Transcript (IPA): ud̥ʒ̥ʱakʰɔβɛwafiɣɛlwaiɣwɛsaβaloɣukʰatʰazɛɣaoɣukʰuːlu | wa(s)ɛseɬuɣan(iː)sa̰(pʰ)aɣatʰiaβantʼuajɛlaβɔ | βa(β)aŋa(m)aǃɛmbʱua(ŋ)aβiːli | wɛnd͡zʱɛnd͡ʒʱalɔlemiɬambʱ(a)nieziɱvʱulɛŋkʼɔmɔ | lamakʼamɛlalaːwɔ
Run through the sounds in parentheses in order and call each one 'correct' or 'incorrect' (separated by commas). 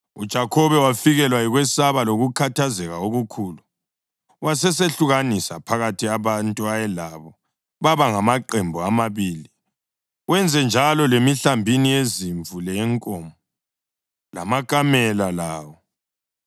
correct, incorrect, correct, correct, correct, incorrect, incorrect